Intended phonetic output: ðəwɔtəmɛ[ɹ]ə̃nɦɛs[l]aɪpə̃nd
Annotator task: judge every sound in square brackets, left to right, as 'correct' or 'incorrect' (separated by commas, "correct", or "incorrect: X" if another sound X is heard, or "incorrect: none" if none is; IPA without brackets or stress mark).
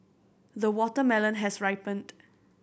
incorrect: l, incorrect: ɹ